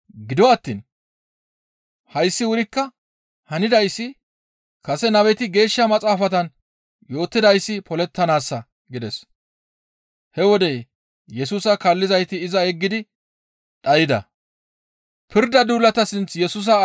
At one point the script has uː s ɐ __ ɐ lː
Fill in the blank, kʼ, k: k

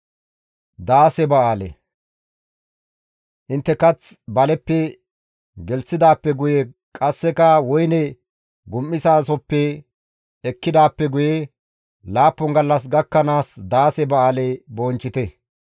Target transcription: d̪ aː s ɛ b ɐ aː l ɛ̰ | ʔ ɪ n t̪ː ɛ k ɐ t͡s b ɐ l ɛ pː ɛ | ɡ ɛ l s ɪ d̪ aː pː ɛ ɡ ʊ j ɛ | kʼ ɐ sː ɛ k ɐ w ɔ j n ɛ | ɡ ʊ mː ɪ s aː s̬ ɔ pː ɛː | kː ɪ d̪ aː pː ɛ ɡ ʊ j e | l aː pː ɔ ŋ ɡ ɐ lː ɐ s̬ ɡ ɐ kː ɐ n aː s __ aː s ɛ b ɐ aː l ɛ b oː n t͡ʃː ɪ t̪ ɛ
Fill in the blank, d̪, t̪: d̪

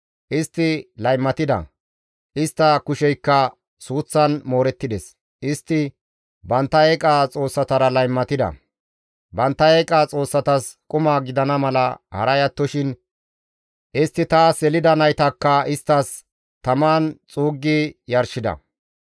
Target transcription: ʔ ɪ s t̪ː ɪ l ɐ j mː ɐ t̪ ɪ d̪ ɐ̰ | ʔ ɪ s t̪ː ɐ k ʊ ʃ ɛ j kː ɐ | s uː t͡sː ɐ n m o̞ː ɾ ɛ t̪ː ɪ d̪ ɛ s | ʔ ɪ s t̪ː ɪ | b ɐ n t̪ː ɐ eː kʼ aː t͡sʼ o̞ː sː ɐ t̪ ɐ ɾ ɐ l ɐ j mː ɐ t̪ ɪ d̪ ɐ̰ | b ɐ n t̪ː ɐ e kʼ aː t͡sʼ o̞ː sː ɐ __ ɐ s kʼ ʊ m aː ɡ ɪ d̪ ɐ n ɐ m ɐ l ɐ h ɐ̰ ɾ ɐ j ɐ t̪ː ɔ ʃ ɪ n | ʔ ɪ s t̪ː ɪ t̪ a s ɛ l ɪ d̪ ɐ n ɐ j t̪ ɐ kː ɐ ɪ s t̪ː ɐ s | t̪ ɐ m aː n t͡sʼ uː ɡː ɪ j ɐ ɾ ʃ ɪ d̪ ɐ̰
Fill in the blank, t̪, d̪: t̪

